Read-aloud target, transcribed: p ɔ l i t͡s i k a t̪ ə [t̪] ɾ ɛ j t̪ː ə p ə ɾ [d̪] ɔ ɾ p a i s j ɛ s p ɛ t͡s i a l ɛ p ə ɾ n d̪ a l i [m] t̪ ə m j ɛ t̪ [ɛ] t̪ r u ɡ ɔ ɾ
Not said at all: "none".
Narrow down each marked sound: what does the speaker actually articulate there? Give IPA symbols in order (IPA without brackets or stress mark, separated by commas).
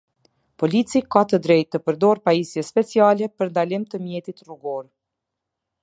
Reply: d̪, d̪, m, i